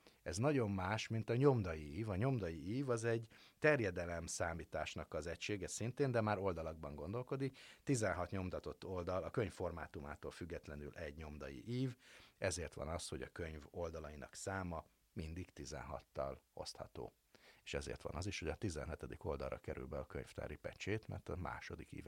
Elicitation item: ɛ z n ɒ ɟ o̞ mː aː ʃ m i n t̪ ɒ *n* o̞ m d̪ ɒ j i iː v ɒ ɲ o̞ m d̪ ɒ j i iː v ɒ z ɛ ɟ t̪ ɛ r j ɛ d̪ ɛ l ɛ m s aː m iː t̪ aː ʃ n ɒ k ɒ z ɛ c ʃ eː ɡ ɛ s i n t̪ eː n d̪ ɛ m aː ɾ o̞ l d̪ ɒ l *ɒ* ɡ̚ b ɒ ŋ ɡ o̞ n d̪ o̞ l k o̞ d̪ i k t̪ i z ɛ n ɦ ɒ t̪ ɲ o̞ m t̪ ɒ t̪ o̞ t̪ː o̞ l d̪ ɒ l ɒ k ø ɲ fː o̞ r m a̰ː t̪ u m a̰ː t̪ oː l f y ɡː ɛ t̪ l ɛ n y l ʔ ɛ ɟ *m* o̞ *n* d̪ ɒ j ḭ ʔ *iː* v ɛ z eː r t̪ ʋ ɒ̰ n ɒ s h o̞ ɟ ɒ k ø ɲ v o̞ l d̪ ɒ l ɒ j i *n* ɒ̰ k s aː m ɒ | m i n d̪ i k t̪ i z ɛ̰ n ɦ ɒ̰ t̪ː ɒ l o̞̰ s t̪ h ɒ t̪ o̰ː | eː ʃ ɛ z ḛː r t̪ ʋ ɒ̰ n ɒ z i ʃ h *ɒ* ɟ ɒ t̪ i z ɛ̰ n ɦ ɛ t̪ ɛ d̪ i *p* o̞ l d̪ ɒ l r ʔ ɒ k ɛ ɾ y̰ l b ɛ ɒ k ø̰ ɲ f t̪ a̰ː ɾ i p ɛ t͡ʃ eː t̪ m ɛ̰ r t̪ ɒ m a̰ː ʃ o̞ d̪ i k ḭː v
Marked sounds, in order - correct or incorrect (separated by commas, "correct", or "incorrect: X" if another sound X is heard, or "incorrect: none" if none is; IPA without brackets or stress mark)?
incorrect: ɲ, correct, incorrect: ɲ, incorrect: m, correct, correct, incorrect: o, incorrect: k